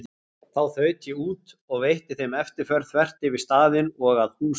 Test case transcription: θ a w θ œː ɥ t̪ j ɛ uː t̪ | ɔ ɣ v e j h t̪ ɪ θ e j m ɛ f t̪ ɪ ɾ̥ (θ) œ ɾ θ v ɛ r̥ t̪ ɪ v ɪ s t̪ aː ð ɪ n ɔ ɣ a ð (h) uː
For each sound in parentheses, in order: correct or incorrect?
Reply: incorrect, correct

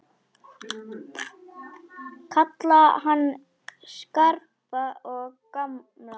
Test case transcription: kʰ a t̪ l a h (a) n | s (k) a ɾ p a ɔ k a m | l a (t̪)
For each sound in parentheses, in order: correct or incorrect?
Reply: correct, correct, incorrect

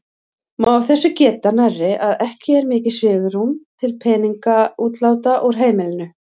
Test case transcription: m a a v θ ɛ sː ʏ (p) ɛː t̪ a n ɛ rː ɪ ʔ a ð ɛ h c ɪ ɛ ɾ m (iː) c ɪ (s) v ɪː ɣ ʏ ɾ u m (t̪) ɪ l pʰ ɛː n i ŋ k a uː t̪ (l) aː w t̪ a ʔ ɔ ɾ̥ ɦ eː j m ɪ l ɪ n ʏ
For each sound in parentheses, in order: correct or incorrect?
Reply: incorrect, incorrect, correct, incorrect, correct

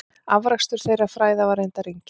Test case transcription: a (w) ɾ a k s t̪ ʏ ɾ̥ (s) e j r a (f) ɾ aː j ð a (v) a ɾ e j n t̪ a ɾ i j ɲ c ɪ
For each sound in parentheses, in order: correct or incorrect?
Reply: incorrect, incorrect, correct, correct

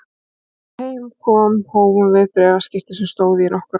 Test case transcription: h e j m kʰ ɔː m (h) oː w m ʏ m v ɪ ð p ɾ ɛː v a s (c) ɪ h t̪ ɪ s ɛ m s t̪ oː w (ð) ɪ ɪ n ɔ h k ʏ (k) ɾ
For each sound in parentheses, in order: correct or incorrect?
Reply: correct, correct, correct, incorrect

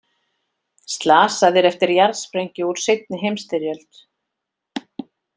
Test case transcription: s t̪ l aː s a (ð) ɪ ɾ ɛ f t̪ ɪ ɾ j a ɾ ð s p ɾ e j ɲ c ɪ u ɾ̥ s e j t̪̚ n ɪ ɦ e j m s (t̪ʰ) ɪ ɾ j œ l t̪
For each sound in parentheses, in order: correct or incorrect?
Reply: correct, incorrect

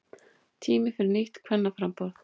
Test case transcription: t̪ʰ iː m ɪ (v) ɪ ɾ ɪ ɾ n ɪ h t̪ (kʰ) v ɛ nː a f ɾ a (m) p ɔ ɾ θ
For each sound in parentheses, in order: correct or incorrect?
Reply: incorrect, correct, correct

